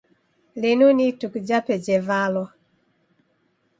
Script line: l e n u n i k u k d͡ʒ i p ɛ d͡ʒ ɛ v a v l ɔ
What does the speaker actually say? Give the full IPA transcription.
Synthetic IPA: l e n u n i t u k d͡ʒ a p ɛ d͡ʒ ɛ v a l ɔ